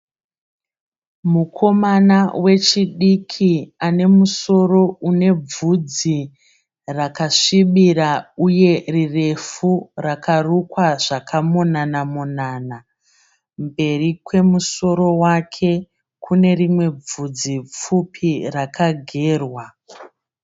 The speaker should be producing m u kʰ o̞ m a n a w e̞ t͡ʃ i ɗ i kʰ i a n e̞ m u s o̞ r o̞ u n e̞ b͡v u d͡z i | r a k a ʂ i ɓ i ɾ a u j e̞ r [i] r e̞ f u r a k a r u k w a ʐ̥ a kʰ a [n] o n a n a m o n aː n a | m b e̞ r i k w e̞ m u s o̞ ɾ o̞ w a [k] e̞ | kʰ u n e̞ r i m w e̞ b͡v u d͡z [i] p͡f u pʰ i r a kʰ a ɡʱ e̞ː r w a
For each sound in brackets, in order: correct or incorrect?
correct, incorrect: m, incorrect: kʰ, correct

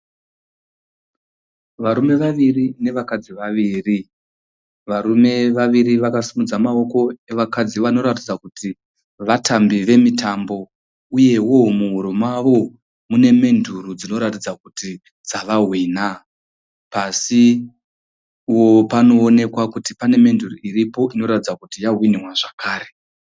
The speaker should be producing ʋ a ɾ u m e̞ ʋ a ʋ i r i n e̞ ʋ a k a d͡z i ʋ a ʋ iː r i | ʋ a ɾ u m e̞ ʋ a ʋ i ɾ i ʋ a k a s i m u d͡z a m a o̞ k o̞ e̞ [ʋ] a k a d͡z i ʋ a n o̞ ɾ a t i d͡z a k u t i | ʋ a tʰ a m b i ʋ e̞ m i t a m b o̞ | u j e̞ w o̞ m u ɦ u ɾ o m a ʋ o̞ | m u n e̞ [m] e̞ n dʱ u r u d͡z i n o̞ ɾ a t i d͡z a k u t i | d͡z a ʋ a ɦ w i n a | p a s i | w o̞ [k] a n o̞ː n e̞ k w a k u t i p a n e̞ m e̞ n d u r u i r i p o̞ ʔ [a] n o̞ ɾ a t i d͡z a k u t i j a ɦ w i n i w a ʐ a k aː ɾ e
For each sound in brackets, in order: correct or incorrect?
correct, correct, incorrect: p, incorrect: i

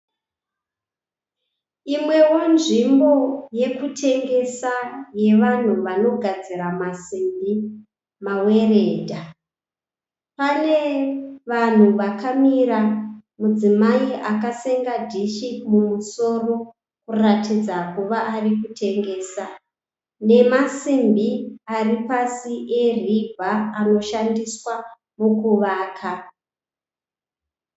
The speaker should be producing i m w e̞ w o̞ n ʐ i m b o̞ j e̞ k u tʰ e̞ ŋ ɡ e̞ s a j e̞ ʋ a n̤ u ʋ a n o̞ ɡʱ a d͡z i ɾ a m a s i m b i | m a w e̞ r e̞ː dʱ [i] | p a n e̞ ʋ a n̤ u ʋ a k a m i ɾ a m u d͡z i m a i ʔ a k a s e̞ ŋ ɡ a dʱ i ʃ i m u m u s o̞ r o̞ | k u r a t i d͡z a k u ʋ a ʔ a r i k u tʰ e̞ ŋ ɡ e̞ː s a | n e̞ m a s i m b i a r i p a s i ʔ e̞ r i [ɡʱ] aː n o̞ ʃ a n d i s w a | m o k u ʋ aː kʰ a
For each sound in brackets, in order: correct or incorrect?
incorrect: a, incorrect: bʱ

